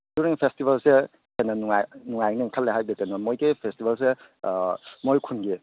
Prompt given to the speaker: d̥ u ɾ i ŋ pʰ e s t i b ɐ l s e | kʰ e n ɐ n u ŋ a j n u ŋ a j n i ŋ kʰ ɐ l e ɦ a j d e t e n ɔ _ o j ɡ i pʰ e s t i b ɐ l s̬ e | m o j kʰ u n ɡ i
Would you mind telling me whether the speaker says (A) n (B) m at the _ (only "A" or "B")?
B